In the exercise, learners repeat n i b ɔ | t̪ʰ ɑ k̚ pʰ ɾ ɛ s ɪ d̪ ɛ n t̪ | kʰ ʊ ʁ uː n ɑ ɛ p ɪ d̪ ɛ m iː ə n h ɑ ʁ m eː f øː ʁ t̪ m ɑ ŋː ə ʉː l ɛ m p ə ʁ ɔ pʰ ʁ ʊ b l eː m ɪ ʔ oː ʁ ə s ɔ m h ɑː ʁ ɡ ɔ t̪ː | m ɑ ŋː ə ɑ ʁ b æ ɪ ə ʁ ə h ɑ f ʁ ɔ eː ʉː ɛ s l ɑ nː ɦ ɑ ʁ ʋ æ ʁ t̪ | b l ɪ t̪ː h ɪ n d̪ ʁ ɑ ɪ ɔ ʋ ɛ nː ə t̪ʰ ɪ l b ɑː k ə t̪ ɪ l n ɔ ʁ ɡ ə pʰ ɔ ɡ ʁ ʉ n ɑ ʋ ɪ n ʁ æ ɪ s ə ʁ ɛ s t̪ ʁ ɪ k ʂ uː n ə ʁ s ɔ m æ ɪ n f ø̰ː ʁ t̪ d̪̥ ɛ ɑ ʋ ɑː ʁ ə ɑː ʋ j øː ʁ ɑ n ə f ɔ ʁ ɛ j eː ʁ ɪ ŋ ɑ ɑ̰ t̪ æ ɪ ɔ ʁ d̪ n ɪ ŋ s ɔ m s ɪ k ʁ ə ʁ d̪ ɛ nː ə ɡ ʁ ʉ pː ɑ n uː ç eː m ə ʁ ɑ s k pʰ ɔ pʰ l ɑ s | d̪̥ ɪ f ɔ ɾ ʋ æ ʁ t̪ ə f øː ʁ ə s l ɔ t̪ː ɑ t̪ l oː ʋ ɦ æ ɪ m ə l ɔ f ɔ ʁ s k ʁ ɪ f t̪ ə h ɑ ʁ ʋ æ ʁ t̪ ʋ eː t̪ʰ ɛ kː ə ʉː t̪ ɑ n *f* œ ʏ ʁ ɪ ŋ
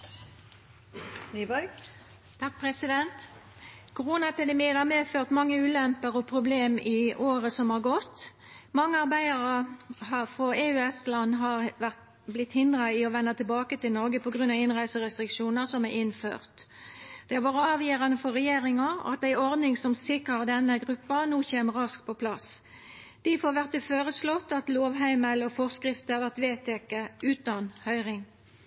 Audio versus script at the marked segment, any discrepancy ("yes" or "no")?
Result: yes